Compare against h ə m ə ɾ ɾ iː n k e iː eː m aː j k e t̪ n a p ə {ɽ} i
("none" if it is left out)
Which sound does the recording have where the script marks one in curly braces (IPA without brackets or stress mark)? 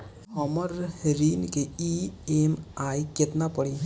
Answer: ɽ